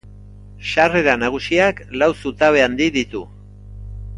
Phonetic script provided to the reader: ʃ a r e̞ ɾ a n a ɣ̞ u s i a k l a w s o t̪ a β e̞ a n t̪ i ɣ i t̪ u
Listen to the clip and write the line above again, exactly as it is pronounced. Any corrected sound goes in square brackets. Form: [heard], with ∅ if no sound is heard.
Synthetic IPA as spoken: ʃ a r e̞ ɾ a n a ɣ̞ u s i a k l a w s [u] t̪ a β e̞ a n [d̪] i [ð] i t̪ u